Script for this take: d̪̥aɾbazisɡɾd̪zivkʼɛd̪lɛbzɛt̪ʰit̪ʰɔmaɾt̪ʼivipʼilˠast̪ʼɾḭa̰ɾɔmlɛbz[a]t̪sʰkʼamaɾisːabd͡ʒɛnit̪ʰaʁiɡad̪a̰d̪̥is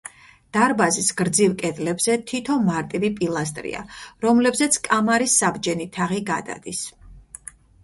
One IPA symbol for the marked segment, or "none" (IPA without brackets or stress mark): ɛ